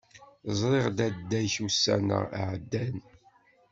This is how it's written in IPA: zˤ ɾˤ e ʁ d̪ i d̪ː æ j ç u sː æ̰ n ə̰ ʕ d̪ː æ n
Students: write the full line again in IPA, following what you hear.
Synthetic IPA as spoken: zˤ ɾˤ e ʁ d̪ æ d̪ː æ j ç u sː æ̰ n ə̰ ʕ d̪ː æ n